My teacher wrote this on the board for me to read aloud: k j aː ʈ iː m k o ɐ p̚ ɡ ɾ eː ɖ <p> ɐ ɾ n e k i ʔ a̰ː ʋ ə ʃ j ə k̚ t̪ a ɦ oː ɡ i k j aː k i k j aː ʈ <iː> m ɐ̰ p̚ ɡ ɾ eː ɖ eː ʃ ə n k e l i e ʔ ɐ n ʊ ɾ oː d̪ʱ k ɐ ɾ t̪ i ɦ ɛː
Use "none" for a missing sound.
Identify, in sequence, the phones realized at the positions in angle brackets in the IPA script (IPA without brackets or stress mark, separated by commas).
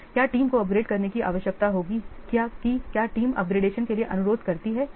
k, iː